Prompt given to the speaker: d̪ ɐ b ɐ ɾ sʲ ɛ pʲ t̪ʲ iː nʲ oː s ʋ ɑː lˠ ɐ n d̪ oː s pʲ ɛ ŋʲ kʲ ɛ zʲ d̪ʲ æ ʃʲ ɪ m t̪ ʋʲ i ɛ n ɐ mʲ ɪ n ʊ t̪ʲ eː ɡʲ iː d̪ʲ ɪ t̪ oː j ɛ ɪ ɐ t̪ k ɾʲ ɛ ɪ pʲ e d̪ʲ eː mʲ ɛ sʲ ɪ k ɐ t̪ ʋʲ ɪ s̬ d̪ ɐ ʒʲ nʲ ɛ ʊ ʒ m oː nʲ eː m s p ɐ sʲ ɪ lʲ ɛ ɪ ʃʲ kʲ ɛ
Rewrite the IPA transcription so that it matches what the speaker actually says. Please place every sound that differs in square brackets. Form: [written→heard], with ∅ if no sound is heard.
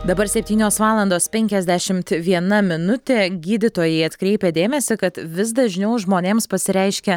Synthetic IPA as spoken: d̪ ɐ b ɐ ɾ sʲ ɛ pʲ t̪ʲ iː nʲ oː s ʋ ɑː lˠ ɐ n d̪ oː s pʲ ɛ ŋʲ kʲ ɛ zʲ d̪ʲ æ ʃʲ ɪ m t̪ ʋʲ i ɛ n ɐ mʲ ɪ n ʊ t̪ʲ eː ɡʲ iː d̪ʲ ɪ t̪ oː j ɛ ɪ ɐ t̪ k ɾʲ ɛ ɪ pʲ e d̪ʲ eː mʲ ɛ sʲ ɪ k ɐ t̪ ʋʲ ɪ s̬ d̪ ɐ ʒʲ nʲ ɛ ʊ ʒ m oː nʲ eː m s p ɐ sʲ ɪ [lʲ→ɾʲ] ɛ ɪ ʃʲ kʲ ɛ